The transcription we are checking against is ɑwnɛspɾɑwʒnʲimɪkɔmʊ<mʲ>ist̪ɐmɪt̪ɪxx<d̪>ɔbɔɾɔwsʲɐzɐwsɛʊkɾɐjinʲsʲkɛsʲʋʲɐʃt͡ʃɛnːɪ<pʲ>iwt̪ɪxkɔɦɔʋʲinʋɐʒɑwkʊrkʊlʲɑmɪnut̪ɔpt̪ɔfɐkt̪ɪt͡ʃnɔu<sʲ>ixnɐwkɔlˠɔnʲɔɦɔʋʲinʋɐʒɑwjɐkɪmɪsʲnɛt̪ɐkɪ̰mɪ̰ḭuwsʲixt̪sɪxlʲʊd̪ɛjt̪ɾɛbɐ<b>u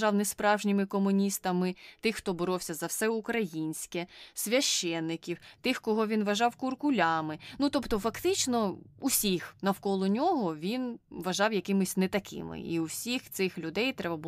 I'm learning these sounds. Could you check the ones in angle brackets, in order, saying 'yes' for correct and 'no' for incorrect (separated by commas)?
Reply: no, no, no, yes, yes